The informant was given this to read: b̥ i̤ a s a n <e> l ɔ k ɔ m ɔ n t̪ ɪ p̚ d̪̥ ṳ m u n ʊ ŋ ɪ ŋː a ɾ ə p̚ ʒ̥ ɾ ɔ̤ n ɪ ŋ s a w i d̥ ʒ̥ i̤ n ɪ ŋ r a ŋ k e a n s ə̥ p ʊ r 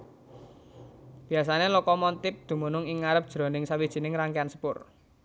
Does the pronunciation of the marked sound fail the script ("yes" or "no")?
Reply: no